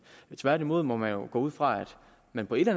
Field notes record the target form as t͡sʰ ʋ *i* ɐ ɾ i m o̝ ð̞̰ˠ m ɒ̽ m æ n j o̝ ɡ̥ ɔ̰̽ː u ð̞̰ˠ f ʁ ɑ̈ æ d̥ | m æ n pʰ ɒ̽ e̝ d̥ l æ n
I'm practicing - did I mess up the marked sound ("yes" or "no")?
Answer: yes